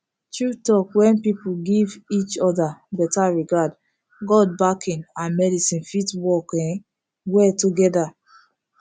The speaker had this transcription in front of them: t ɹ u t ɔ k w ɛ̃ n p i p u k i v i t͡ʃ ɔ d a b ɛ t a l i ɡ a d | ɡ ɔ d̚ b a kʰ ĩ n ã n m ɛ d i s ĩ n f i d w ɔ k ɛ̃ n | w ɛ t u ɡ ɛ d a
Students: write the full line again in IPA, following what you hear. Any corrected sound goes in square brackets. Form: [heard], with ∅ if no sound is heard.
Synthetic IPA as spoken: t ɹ u t ɔ k w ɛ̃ n p i p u [ɡ] i v i t͡ʃ ɔ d a b ɛ t a [ɹ] i ɡ a d | ɡ ɔ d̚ b a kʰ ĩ n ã n m ɛ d i s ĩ n f i [t] w ɔ k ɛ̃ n | w ɛ t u ɡ ɛ d a